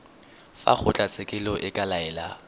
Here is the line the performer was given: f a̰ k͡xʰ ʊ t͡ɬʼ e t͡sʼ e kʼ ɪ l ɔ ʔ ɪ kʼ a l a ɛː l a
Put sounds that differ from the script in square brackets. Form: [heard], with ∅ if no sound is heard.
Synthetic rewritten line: f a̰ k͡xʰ ʊ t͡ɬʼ [a] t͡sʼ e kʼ ɪ l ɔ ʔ ɪ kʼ a l a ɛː l a